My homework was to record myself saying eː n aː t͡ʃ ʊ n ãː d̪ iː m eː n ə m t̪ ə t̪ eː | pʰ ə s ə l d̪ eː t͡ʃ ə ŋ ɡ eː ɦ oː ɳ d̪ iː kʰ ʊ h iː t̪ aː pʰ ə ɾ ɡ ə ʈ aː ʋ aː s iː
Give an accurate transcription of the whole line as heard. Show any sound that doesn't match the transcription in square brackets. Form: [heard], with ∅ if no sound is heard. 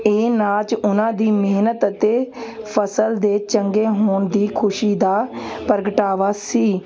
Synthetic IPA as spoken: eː n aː t͡ʃ ʊ n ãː d̪ iː m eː n ə [∅] t̪ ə t̪ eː | pʰ ə s ə l d̪ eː t͡ʃ ə ŋ ɡ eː ɦ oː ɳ d̪ iː kʰ ʊ [ʃ] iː [d̪] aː [p] ə ɾ ɡ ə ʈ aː ʋ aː s iː